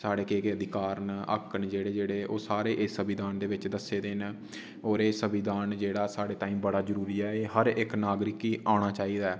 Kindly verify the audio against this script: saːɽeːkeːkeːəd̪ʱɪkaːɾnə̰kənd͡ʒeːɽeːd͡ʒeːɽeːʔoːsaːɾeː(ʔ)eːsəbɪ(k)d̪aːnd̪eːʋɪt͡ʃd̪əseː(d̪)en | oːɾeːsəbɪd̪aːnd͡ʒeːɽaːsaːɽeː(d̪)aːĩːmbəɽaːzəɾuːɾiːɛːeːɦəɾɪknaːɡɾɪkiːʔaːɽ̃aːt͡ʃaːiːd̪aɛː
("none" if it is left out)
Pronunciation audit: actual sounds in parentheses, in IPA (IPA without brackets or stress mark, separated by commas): ʔ, none, d̪, t̪